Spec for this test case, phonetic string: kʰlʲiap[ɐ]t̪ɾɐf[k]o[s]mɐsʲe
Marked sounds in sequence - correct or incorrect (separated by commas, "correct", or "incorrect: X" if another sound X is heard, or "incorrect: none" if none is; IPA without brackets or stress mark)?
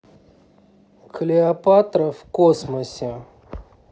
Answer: incorrect: a, correct, correct